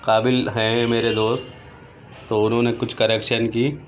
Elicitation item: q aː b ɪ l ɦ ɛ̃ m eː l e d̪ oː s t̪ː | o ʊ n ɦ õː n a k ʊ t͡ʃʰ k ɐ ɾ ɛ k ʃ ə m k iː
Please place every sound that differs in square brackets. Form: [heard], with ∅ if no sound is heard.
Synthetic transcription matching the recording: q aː b ɪ l ɦ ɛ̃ m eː [ɾ] e d̪ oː s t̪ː | o ʊ n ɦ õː n [e] k ʊ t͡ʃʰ k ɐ ɾ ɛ k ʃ ə [n] k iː